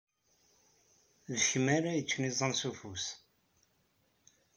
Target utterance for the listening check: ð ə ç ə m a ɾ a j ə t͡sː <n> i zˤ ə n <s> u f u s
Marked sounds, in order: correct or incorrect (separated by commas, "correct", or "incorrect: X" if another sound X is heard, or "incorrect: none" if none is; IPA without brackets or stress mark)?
correct, correct